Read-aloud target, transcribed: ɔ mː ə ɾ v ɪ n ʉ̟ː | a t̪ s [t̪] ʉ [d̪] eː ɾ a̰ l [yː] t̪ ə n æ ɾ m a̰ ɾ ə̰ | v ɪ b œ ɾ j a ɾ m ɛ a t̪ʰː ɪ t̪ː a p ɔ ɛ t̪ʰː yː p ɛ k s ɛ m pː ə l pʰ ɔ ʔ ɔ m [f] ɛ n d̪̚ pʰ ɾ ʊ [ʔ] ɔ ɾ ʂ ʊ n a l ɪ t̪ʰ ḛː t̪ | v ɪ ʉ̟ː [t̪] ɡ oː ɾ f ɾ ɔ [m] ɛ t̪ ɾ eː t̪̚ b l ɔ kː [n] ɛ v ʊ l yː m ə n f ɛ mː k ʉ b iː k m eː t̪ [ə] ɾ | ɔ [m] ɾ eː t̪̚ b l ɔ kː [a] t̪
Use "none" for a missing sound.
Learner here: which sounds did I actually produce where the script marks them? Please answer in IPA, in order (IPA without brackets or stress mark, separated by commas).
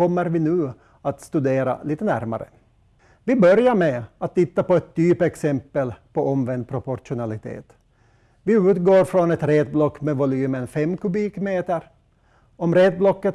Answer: t̪, d̪, iː, v, p, t̪, n, m, ə, m, ə